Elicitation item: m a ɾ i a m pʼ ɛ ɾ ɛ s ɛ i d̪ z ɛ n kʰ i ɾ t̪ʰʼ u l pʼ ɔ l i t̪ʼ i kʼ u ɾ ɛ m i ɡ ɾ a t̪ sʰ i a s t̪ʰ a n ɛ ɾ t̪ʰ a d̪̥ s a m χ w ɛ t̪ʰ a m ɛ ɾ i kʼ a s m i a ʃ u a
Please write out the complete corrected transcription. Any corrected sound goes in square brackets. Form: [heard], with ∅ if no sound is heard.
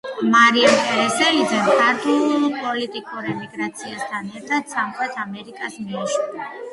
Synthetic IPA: m a ɾ i a m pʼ ɛ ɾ ɛ s ɛ i d̪ z ɛ n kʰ [a] ɾ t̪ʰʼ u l pʼ ɔ l i t̪ʼ i kʼ u ɾ ɛ m i ɡ ɾ a t̪ sʰ i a s t̪ʰ a n ɛ ɾ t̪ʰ a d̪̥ s a m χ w ɛ t̪ʰ a m ɛ ɾ i kʼ a s m i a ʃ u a

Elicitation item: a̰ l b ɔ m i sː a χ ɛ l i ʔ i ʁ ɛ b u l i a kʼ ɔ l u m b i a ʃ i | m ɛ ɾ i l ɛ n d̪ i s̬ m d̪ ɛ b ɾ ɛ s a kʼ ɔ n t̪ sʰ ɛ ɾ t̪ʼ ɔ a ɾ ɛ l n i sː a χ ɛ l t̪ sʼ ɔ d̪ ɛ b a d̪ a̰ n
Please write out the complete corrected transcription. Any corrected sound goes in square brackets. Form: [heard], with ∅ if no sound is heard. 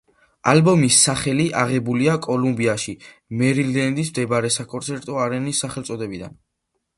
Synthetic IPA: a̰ l b ɔ m i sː a χ ɛ l i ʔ [a] ʁ ɛ b u l i a kʼ ɔ l u m b i a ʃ i | m ɛ ɾ i l ɛ n d̪ i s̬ m d̪ ɛ b ɾ ɛ s a kʼ ɔ n t̪ sʰ ɛ ɾ t̪ʼ ɔ a ɾ ɛ [∅] n i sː a χ ɛ l t̪ sʼ ɔ d̪ ɛ b [i] d̪ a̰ n

